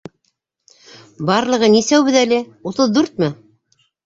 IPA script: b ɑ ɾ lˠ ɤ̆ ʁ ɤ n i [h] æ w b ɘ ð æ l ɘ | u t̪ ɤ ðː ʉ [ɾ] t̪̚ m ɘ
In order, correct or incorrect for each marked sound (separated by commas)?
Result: incorrect, correct